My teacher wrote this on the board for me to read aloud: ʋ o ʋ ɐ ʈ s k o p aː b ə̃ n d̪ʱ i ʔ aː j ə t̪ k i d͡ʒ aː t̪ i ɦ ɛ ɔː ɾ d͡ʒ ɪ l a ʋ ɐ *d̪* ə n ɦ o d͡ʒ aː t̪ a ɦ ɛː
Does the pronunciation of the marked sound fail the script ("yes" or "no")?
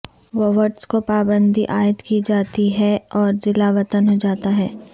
yes